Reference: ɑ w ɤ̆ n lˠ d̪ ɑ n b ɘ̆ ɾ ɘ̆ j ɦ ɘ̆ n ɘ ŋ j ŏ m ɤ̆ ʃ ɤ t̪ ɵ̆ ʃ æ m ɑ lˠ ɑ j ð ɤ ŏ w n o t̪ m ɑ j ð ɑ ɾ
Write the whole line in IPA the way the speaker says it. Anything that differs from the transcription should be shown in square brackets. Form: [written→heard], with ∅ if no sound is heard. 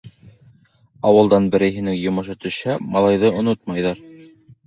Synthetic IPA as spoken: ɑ w ɤ̆ [n→∅] lˠ d̪ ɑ n b ɘ̆ ɾ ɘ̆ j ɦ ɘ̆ n ɘ ŋ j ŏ m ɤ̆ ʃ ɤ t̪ ɵ̆ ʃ æ m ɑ lˠ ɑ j ð ɤ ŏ [w→∅] n o t̪ m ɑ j ð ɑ ɾ